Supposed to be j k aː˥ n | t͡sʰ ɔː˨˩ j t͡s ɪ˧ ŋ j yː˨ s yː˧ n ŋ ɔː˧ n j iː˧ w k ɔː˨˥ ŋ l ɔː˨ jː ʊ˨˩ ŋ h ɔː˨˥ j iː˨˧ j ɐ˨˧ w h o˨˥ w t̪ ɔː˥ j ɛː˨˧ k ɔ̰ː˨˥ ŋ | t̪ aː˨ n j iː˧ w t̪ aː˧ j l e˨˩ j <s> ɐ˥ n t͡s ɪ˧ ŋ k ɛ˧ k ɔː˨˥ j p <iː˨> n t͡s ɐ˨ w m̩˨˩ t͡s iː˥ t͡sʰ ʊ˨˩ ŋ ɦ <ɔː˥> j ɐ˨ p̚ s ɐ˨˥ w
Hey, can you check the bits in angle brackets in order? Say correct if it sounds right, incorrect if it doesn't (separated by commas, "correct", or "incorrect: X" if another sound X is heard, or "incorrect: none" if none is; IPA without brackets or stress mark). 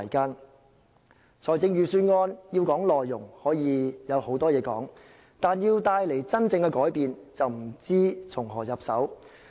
incorrect: t͡s, correct, incorrect: ɔː˨˩